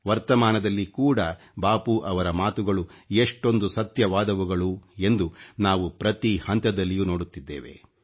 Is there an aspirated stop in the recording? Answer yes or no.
no